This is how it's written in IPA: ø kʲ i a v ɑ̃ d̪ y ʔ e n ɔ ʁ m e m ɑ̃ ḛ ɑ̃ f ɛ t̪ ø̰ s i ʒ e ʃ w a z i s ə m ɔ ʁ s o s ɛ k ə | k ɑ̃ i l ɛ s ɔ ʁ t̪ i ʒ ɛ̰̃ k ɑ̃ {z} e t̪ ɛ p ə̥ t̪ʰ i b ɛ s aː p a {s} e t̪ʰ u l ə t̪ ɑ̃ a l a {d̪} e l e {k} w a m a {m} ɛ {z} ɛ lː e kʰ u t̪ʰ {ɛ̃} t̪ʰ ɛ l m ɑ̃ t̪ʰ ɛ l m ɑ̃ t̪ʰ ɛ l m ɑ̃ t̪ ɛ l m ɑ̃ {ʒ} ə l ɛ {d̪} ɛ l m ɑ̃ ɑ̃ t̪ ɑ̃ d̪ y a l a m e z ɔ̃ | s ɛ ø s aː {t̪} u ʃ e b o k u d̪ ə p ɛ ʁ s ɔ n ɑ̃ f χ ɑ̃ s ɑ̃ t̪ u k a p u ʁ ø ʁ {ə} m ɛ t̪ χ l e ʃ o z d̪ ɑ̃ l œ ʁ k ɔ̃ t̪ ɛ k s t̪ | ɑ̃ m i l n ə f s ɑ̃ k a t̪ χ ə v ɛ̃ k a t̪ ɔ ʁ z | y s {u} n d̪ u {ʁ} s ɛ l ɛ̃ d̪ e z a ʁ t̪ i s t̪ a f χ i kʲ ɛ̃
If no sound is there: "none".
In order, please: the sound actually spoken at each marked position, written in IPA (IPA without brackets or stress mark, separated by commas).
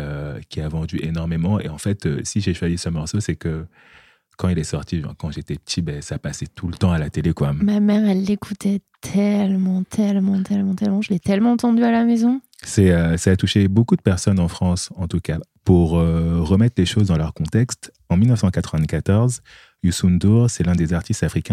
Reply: ʒ, s, t̪, k, m, ʁ, ɛ, ʒ, t̪, t̪, ə, u, ʁ